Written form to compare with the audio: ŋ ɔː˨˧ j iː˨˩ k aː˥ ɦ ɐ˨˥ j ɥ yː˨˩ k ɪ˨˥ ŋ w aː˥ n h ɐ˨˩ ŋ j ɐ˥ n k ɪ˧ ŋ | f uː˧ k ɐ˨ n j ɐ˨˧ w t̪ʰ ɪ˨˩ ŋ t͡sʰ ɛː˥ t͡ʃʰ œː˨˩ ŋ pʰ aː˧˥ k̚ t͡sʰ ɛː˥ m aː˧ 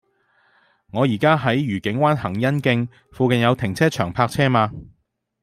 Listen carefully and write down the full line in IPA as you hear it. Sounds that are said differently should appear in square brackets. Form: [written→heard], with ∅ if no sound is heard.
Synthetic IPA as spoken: ŋ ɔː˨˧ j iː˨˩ k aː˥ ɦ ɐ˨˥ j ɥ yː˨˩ k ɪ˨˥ ŋ w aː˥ n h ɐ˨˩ ŋ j ɐ˥ n k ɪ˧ ŋ | f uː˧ k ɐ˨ n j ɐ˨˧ w t̪ʰ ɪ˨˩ ŋ t͡sʰ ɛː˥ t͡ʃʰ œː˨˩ ŋ pʰ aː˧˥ k̚ t͡sʰ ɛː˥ m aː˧